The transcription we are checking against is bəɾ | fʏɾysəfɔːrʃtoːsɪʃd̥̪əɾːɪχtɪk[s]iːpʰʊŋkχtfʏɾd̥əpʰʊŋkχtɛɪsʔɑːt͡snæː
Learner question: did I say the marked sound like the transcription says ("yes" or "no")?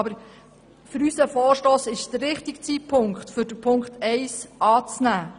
no